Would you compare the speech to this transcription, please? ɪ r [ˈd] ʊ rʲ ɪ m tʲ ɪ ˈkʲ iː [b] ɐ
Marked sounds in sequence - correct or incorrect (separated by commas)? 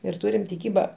incorrect, correct